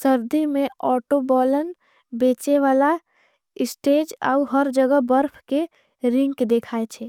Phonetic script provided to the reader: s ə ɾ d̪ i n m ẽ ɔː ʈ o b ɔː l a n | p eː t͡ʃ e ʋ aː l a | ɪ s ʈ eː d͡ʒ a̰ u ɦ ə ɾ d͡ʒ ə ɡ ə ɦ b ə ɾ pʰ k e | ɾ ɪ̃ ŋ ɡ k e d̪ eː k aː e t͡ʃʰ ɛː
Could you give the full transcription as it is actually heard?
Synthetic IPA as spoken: s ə ɾ d̪ i m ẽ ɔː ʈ o b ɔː l ə n | b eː t͡ʃ e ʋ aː l a | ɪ s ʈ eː d͡ʒ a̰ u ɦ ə ɾ d͡ʒ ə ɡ ə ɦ b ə ɾ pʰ k e | ɾ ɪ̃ ŋ ɡ k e d̪ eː kʰ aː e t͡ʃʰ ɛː

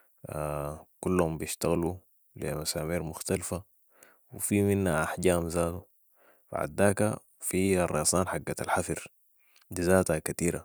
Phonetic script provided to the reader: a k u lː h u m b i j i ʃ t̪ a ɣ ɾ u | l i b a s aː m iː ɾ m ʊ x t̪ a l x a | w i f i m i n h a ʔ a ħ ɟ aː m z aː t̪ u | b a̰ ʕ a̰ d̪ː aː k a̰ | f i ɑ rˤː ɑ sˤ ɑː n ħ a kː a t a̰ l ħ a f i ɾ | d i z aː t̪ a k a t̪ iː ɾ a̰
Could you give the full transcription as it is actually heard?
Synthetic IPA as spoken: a k u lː h u m b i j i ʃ t̪ a ɣ l u | l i m a s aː m iː ɾ m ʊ x t̪ a l f a | w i f i m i n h a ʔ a ħ ɟ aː m z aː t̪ u | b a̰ ʕ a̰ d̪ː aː k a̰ | f i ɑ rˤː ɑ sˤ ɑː n ħ a ɡː a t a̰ l ħ a f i ɾ | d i z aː t̪ a k a t̪ iː ɾ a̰

